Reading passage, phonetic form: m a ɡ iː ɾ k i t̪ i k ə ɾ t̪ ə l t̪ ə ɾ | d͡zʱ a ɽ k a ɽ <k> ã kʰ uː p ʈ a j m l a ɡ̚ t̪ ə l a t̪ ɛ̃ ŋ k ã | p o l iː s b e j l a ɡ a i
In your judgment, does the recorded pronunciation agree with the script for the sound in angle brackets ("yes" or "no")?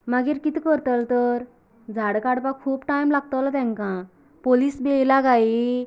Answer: no